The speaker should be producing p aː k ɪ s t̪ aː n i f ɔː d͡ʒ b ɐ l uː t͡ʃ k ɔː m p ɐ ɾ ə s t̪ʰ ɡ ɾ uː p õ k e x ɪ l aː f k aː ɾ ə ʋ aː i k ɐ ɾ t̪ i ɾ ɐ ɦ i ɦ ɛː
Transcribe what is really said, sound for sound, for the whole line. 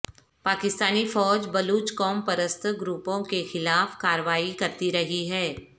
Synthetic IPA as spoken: p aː k ɪ s t̪ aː n i f ɔː d͡ʒ b ɐ l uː t͡ʃ k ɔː m p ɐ ɾ ə s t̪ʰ ɡ ɾ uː p õ k e x ɪ l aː f k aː ɾ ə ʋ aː i k ɐ ɾ t̪ i ɾ ɐ ɦ i ɦ ɛː